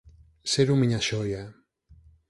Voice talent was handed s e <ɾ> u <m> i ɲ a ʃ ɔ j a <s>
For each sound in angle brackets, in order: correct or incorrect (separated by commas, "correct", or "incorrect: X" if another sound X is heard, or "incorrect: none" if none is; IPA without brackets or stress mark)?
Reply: correct, correct, incorrect: none